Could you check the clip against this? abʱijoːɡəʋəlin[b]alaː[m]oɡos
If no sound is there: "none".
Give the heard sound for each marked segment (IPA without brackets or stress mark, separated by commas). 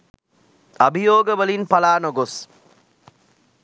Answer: p, n